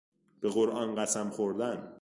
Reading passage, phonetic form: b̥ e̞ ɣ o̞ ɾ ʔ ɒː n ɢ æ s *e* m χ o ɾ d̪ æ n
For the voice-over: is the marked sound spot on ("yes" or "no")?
no